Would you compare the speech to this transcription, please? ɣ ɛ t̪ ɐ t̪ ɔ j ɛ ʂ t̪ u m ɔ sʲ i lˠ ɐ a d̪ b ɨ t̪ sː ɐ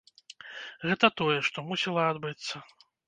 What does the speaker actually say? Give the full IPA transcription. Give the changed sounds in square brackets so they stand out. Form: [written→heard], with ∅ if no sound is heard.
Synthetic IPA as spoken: ɣ ɛ t̪ ɐ t̪ ɔ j ɛ ʂ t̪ [u→ɔ] m [ɔ→u] sʲ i lˠ ɐ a d̪ b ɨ t̪ sː ɐ

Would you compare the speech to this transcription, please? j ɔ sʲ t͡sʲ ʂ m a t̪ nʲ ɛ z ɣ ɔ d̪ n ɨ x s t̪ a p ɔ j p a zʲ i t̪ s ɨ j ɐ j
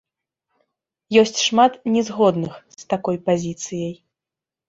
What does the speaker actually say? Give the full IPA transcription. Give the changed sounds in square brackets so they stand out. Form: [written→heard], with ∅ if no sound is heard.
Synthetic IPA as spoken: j ɔ sʲ t͡sʲ ʂ m a t̪ nʲ ɛ z ɣ ɔ d̪ n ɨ x s t̪ a [p→k] ɔ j p a zʲ i t̪ s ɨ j ɐ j

